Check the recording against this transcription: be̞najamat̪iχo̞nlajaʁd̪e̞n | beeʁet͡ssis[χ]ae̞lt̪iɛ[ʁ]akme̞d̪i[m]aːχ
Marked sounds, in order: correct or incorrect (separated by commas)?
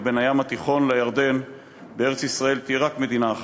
incorrect, correct, incorrect